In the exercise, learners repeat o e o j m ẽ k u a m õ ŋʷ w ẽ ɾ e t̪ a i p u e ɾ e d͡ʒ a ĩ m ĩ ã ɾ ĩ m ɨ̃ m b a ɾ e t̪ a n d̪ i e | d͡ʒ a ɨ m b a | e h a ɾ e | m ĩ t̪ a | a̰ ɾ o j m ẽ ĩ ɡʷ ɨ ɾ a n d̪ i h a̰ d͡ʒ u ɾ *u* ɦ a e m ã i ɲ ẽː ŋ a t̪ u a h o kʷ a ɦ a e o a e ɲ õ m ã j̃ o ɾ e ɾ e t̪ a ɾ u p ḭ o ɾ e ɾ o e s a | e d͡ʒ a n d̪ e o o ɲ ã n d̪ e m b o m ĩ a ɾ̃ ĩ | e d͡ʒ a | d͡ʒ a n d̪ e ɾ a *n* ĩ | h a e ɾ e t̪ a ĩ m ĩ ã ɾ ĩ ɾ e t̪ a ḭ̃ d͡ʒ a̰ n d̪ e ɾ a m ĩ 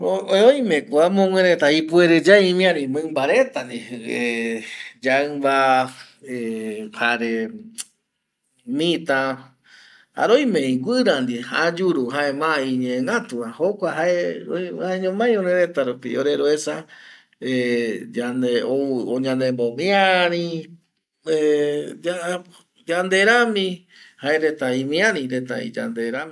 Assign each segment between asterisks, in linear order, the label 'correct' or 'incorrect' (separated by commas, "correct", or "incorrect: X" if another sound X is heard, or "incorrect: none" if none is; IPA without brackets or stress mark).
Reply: correct, incorrect: m